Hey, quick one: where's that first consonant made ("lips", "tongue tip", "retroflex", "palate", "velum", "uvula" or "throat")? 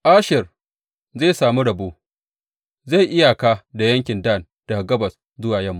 throat